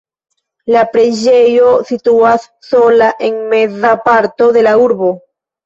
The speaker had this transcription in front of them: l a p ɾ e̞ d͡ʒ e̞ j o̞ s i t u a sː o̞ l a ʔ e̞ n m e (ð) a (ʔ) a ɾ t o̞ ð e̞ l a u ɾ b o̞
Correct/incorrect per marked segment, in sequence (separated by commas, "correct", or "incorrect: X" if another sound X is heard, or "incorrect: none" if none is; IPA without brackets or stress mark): incorrect: z, incorrect: p